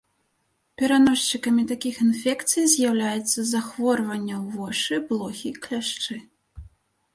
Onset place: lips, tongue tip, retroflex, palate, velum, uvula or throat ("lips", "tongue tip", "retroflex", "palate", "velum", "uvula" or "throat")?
lips